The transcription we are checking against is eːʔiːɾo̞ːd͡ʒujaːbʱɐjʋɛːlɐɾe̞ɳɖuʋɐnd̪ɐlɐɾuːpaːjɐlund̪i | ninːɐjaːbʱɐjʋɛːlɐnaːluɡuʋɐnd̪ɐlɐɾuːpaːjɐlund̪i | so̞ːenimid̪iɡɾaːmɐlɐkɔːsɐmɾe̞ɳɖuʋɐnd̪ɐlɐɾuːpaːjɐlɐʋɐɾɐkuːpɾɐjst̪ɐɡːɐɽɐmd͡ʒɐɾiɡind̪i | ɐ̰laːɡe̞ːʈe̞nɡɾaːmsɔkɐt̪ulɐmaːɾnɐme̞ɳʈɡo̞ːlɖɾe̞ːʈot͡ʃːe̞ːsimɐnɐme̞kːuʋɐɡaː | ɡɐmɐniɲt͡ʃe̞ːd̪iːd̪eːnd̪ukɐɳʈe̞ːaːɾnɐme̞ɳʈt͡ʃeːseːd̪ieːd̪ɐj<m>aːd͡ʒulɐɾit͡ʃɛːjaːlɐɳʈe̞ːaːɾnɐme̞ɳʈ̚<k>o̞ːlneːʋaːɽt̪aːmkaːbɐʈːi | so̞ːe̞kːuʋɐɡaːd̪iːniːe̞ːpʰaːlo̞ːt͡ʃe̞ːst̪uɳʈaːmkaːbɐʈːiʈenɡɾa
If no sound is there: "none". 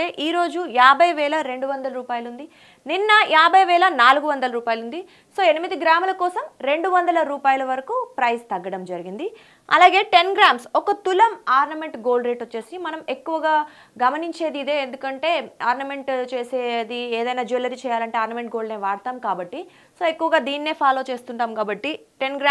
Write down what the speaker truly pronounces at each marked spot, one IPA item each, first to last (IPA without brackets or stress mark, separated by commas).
n, ɡ